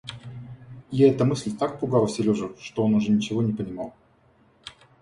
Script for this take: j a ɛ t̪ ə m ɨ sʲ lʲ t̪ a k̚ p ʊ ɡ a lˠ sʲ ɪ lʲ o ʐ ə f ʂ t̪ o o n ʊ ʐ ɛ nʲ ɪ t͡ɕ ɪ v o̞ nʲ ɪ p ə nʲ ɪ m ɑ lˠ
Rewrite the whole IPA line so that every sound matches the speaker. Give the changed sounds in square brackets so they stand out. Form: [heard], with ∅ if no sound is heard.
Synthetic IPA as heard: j a ɛ t̪ ə m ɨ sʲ lʲ t̪ a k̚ p ʊ ɡ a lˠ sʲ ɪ lʲ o ʐ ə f ʂ t̪ o o n ʊ ʐ ɛ nʲ ɪ t͡ɕ ɪ v o̞ nʲ ɪ p ə nʲ ɪ m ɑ lˠ